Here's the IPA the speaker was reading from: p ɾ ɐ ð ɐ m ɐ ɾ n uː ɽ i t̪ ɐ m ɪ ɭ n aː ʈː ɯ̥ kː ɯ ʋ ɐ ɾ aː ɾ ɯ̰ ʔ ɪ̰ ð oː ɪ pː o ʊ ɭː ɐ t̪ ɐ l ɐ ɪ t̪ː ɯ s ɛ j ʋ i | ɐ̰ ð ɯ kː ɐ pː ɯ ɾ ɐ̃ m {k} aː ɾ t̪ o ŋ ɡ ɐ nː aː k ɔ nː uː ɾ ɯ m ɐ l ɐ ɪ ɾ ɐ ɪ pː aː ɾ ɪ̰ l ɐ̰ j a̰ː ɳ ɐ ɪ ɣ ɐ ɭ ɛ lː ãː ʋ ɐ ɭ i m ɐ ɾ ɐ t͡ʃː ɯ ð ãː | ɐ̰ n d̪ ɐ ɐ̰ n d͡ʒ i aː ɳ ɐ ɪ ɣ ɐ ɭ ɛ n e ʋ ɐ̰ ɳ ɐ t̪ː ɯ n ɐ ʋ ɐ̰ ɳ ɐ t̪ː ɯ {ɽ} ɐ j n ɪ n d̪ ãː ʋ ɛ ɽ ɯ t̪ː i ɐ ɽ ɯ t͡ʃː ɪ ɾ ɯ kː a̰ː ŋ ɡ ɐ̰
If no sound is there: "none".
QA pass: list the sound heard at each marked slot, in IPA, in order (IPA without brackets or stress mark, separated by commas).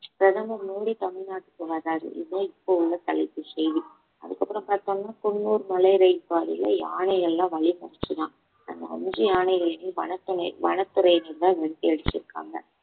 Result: p, ɾ